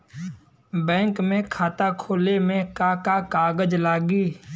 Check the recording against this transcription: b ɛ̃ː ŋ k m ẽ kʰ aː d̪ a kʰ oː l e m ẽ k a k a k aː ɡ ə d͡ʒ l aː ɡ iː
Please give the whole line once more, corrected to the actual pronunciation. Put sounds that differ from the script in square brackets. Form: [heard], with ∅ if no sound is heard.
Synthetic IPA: b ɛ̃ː ŋ k m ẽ kʰ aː [t̪] a kʰ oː l e m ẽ k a k a k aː ɡ ə d͡ʒ l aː ɡ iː